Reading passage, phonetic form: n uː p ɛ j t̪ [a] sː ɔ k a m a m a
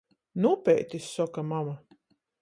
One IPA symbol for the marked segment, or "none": i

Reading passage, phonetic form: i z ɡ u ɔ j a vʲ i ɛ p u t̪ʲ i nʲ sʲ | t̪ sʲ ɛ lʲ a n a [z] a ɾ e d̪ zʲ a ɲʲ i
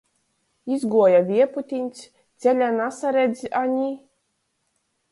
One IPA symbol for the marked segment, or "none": s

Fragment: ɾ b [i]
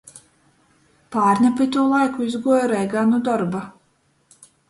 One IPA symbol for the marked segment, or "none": a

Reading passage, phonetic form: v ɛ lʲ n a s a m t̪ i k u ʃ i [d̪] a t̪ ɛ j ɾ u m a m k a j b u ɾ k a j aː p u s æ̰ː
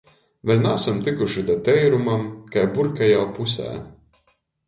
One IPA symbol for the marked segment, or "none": d̪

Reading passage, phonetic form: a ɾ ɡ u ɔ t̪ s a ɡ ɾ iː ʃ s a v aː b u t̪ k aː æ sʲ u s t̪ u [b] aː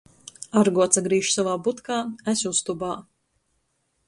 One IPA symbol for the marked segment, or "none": b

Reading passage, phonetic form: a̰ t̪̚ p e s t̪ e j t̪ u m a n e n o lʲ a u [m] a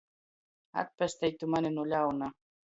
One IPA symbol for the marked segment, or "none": n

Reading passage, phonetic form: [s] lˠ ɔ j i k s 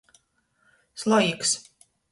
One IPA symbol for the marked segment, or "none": s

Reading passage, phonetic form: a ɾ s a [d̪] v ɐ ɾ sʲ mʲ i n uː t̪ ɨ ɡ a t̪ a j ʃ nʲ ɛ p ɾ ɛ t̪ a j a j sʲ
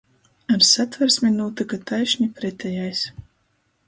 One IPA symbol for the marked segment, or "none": t̪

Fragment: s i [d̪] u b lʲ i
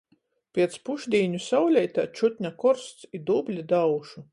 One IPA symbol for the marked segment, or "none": d̪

